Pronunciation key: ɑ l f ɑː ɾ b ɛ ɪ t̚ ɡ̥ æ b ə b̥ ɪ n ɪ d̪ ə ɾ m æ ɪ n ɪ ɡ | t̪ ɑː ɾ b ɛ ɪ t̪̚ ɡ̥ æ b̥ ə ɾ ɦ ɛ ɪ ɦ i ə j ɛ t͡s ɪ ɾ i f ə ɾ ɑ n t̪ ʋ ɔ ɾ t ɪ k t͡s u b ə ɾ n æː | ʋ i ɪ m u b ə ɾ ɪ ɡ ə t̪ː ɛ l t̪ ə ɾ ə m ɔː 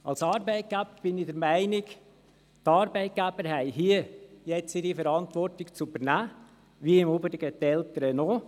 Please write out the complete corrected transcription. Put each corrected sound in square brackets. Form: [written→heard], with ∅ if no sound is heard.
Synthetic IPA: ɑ l [f→s] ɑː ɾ b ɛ ɪ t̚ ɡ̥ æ b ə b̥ ɪ n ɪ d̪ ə ɾ m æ ɪ n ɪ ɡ | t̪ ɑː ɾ b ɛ ɪ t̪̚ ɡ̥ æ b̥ ə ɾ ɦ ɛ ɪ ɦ i ə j ɛ t͡s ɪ ɾ i f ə ɾ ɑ n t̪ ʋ ɔ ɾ t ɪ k t͡s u b ə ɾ n æː | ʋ i ɪ m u b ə ɾ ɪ ɡ ə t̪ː ɛ l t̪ ə ɾ ə [m→n] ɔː